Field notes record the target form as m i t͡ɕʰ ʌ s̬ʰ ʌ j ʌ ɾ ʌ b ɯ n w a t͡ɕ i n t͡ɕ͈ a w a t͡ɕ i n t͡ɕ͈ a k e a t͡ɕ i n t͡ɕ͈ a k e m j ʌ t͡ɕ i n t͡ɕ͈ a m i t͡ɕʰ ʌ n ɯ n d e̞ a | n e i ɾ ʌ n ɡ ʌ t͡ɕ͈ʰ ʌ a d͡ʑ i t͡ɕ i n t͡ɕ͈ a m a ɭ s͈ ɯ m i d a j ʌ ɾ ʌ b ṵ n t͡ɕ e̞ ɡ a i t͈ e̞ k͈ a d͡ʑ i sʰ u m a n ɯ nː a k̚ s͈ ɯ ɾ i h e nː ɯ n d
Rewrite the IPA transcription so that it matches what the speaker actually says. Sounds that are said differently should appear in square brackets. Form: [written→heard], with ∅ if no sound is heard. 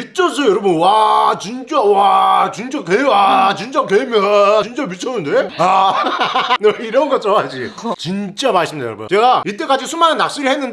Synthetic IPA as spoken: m i t͡ɕʰ ʌ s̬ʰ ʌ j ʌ ɾ ʌ b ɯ n w a t͡ɕ i n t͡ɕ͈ a w a t͡ɕ i n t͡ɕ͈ a k e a t͡ɕ i n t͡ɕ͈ a k e m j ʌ t͡ɕ i n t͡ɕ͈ a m i t͡ɕʰ ʌ n ɯ n d e̞ a | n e i ɾ ʌ n ɡ ʌ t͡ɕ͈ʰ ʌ a d͡ʑ i t͡ɕ i n t͡ɕ͈ a m a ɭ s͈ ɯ m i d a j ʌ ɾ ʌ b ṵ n t͡ɕ e̞ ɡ a i t͈ e̞ k͈ a d͡ʑ i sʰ u m a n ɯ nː a k̚ s͈ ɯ ɾ i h e nː ɯ n d